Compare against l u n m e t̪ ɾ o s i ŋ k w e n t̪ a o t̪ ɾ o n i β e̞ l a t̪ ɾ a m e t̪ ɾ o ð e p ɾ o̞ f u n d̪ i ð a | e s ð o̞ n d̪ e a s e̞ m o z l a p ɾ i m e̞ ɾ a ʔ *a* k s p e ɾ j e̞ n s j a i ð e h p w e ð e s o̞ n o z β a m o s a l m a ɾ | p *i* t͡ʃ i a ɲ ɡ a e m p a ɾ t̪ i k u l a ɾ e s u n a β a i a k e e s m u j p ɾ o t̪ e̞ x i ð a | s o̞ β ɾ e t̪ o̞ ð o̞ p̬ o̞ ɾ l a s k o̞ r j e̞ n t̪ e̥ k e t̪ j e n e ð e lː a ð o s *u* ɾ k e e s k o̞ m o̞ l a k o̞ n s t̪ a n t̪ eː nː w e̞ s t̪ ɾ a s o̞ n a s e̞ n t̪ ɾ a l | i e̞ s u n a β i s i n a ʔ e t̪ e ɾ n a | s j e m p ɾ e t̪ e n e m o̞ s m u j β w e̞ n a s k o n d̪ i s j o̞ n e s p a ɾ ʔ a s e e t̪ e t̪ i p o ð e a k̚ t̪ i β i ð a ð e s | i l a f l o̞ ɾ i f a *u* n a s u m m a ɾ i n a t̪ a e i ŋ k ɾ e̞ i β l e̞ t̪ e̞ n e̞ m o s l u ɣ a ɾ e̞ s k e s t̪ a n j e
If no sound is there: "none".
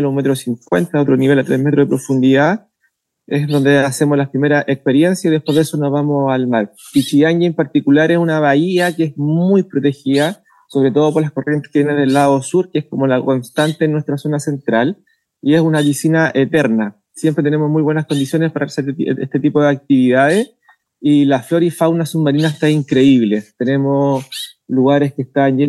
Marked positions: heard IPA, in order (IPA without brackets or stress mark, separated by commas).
e, i, u, w